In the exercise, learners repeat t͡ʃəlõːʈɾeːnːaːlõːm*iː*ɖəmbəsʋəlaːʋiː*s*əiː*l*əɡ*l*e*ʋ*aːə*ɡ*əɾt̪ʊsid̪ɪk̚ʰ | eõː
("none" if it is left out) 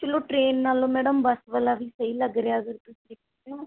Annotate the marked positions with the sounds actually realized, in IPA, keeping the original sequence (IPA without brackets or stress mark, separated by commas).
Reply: ɛː, s, l, ɾ, none, ɡ